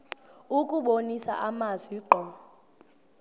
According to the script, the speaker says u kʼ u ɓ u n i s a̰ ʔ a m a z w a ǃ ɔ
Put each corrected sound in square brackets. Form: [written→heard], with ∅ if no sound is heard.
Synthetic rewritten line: u kʼ u ɓ [u→o] n i s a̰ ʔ a m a z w [a→i] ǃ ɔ